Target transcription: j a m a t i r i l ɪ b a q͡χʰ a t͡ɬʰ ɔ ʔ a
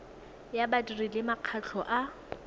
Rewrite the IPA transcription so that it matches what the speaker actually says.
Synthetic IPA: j a b a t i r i l ɪ m a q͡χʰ a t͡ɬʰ ɔ ʔ a

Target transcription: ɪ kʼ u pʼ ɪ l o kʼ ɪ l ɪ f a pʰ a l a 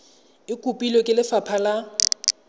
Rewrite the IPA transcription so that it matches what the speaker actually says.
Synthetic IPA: ɪ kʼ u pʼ i l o kʼ ɪ l ɪ f a pʰ a l a

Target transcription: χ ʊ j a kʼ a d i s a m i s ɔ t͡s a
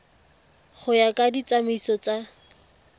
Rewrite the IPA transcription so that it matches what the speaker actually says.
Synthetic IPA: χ ʊ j a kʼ a d i t͡s a m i s ɔ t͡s a

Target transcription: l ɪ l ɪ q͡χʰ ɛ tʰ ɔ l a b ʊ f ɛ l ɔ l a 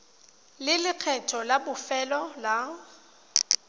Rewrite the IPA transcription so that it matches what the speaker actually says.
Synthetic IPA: l ɪ l ɪ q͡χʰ ɛ tʰ ɔ l a b ʊ f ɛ l ɔ l a

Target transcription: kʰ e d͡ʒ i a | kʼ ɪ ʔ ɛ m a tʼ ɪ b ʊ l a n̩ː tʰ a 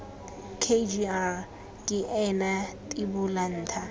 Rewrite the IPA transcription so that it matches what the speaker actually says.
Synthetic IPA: kʰ e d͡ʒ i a | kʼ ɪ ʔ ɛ n a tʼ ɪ b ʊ l a n̩ː tʰ a

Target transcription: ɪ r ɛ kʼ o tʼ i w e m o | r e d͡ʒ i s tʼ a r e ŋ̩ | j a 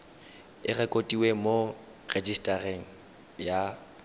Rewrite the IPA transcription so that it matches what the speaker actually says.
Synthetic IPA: ɪ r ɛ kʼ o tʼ i w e m o | r e d͡ʒ i s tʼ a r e ŋ̩ | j a

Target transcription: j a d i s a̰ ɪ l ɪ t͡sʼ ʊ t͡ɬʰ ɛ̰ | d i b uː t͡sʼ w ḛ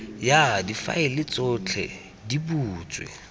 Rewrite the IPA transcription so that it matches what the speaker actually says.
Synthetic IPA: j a d i f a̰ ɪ l ɪ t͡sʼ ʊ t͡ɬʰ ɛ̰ | d i b uː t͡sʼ w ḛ

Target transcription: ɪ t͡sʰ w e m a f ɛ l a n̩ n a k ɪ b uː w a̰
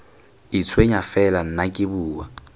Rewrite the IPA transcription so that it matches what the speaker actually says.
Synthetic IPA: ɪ t͡sʰ w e ɲ a f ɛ l a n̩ n a kʼ ɪ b uː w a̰

